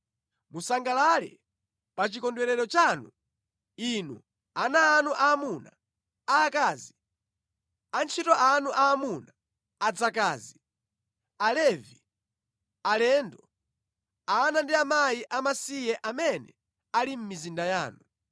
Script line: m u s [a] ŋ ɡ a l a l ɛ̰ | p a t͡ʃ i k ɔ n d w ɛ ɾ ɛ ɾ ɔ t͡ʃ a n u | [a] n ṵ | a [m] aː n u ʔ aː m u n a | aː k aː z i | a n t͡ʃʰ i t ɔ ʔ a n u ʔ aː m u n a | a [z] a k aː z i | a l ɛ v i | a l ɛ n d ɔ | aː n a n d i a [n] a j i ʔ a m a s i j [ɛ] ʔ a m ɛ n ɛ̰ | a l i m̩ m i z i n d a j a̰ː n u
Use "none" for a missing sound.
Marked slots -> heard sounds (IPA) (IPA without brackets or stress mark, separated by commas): a, i, n, d͡z, m, ɛ